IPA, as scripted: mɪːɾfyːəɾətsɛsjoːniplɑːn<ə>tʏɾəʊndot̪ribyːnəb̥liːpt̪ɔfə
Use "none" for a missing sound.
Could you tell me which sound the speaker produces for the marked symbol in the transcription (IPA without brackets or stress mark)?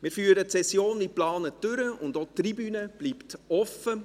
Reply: ə